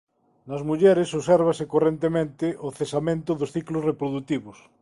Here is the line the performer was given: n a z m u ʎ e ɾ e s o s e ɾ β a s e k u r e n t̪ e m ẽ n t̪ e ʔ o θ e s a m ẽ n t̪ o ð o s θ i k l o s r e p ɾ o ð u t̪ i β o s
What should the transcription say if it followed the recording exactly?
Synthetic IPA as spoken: n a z m u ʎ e ɾ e s o s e ɾ β a s e k o r e n t̪ e m ẽ n t̪ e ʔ o θ e s a m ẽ n t̪ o ð o s θ i k l o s r e p ɾ o ð u t̪ i β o s